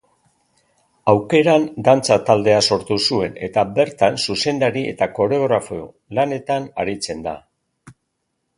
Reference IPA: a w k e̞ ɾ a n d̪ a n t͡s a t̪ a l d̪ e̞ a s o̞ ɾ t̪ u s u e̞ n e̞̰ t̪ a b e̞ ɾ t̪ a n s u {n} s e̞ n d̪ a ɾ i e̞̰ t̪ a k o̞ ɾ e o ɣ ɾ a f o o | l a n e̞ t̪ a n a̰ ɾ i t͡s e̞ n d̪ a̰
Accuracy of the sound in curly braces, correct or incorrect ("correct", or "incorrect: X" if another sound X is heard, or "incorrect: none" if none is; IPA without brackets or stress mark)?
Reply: incorrect: none